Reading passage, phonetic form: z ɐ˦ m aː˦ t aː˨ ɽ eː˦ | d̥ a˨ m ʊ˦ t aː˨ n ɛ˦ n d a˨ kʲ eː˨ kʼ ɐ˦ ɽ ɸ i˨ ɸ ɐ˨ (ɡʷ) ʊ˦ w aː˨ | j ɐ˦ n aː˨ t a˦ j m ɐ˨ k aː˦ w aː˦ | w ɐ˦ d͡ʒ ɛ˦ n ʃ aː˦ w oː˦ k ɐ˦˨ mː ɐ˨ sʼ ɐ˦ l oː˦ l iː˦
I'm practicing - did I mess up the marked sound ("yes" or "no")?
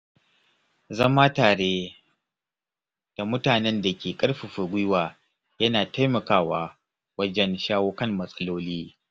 no